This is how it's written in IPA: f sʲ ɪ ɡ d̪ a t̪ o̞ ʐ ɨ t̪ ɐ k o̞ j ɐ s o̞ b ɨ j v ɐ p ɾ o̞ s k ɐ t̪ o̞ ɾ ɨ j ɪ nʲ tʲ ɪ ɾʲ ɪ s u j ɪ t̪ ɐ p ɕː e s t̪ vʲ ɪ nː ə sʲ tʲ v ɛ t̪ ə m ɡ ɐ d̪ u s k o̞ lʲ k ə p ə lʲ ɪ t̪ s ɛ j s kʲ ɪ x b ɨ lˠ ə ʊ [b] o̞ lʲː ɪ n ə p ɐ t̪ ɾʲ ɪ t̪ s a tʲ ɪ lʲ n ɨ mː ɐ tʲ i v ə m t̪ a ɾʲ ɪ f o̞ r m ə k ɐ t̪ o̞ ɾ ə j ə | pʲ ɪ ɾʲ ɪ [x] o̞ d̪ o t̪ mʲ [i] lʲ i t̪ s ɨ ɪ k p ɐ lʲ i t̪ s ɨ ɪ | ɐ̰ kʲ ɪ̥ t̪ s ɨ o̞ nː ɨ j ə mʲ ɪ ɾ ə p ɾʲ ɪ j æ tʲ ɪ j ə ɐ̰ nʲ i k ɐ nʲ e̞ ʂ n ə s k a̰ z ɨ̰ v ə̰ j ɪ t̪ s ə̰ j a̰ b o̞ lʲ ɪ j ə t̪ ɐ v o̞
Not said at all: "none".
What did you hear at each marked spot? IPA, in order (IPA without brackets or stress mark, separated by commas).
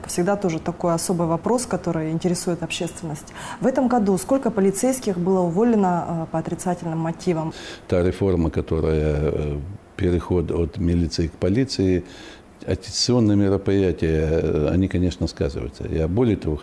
v, x, ɪ